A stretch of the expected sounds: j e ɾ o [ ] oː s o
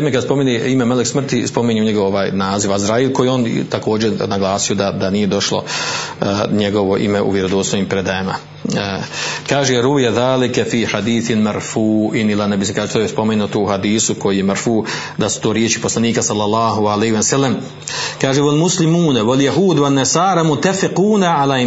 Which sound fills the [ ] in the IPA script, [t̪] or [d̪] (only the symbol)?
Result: d̪